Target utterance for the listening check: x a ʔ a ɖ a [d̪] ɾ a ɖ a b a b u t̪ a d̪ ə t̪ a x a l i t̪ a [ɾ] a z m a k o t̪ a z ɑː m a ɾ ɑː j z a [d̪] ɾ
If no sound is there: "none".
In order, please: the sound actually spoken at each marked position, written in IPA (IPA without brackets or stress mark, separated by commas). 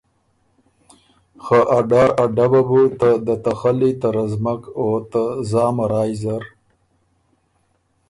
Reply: none, ɾ, none